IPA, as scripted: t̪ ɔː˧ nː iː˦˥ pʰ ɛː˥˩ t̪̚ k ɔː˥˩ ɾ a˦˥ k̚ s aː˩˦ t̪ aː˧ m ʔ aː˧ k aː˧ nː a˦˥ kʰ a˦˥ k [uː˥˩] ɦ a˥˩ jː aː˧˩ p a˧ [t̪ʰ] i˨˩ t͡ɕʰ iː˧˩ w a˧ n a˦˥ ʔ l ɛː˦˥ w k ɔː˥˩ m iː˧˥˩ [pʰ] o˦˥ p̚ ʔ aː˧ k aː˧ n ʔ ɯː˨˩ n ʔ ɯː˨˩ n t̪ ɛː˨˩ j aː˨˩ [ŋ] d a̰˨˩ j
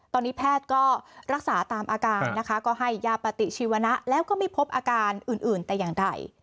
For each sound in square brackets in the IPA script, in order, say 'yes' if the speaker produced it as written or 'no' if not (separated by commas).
no, no, yes, yes